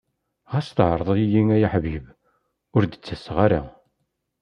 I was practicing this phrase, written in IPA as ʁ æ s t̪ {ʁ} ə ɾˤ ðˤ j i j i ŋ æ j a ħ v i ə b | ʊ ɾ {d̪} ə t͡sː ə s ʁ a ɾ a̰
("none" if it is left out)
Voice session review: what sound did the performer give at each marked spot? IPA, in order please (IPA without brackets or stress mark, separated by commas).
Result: ʕ, d̪